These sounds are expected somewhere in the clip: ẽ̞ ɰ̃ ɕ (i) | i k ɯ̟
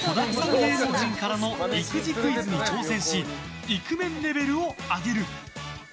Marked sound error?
no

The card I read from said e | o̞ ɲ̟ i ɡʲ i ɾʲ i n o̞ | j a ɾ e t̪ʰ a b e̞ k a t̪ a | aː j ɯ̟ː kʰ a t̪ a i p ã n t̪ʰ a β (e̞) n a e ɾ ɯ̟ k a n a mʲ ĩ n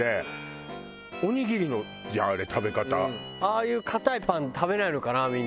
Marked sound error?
no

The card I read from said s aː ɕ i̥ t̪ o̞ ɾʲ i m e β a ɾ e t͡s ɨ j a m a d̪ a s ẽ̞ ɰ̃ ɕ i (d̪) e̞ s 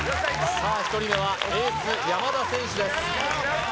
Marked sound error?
no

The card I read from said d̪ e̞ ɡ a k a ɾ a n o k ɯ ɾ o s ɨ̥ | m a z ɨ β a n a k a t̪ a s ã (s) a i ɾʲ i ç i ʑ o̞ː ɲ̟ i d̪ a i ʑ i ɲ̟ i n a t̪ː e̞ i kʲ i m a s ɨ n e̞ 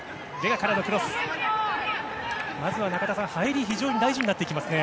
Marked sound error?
yes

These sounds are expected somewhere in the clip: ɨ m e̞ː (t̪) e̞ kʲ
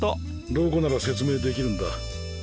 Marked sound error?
yes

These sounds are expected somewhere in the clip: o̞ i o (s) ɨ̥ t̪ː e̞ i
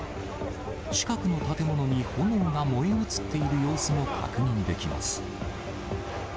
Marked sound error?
yes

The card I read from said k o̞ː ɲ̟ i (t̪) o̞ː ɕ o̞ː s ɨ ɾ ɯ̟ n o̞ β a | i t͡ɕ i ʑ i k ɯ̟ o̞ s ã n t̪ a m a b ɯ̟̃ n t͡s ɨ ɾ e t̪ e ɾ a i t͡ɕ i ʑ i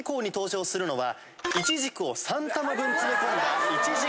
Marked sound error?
no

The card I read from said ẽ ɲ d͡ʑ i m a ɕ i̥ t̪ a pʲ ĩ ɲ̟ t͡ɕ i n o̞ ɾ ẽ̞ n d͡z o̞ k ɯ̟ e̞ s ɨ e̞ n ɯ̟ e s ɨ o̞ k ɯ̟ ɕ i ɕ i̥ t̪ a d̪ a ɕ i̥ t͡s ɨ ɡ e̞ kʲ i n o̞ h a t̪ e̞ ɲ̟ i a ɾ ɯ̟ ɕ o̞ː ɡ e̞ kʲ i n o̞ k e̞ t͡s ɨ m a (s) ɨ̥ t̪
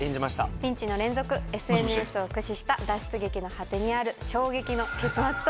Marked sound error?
yes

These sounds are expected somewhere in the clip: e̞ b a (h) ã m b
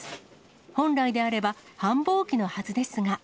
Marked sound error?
no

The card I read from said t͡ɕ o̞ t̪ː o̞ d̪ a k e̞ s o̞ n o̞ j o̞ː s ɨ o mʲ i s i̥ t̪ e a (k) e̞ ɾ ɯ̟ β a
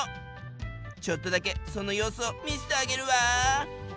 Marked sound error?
yes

